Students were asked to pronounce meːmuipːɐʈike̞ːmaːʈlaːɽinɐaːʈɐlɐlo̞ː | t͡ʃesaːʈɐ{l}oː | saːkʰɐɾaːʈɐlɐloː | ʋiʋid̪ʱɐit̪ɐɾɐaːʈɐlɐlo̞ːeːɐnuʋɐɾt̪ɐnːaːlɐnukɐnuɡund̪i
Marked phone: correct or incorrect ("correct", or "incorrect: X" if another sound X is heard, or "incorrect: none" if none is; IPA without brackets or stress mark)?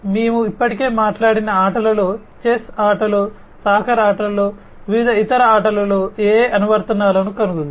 correct